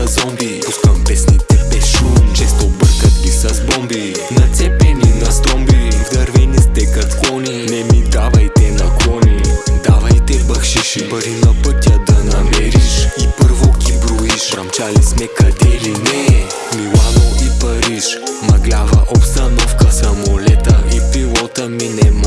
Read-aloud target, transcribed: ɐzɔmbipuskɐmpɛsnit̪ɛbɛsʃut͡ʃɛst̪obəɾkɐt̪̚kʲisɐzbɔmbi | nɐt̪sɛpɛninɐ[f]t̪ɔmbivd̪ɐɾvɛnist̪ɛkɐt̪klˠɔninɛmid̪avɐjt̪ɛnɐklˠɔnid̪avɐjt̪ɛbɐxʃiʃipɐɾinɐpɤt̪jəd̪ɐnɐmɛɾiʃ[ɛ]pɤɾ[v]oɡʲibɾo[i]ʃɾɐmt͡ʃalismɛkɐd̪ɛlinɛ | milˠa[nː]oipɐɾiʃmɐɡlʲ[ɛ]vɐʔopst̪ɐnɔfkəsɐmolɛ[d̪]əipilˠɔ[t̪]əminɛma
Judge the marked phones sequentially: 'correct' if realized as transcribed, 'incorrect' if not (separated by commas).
incorrect, incorrect, correct, correct, incorrect, incorrect, incorrect, correct